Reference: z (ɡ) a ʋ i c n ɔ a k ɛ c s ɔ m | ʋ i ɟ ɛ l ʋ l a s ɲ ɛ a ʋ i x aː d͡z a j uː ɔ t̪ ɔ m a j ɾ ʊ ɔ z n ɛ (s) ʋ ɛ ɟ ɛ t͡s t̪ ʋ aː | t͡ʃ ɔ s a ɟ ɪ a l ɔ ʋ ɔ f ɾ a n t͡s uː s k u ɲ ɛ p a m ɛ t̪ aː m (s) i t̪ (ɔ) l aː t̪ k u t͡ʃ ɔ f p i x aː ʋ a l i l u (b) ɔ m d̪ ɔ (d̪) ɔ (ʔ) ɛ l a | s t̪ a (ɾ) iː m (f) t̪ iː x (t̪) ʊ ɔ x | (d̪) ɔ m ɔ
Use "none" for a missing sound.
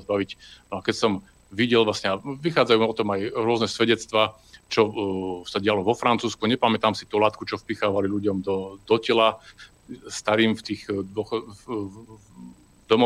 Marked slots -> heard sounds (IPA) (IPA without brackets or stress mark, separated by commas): b, s, s, u, ɟ, d̪, c, ɾ, f, d̪, d̪